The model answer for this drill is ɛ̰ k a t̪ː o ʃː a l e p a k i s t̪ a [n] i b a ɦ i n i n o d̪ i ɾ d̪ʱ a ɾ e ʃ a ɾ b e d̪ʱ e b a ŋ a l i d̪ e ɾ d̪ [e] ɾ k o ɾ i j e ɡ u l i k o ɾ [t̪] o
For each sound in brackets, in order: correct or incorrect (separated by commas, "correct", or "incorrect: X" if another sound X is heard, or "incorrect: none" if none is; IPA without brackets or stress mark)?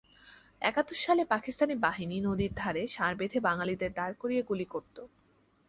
correct, incorrect: a, correct